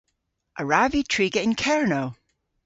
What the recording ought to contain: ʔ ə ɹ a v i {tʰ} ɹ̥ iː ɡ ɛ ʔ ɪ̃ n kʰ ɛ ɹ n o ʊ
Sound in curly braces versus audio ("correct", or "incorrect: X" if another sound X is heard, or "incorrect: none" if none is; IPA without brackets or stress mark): correct